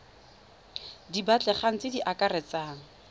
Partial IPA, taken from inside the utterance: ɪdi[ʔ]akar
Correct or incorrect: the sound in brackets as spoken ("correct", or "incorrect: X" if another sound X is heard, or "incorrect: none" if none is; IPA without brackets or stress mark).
correct